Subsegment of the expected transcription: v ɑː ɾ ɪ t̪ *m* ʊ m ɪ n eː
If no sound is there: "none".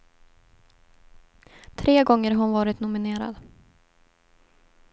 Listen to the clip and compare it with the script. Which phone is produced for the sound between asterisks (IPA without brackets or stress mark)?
n